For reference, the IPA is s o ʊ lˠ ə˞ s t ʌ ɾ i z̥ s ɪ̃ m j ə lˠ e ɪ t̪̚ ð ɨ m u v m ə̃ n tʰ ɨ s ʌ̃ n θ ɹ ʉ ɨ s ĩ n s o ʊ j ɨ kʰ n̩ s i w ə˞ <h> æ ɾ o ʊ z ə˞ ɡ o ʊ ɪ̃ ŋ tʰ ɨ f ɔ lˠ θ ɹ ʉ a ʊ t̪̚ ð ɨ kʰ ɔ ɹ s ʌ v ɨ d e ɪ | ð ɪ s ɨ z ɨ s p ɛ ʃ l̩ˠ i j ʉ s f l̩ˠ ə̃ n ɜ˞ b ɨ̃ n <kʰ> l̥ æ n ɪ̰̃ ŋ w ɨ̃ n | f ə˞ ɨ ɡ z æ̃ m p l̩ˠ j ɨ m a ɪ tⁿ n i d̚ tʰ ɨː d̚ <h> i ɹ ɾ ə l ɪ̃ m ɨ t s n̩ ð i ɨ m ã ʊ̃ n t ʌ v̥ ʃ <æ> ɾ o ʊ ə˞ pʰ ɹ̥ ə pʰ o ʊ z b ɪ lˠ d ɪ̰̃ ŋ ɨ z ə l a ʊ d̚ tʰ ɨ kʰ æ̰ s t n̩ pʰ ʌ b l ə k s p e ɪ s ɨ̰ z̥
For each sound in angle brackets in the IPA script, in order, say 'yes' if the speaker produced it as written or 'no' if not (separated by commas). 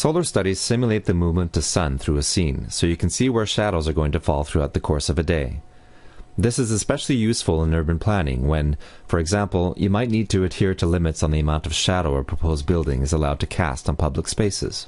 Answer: no, no, yes, yes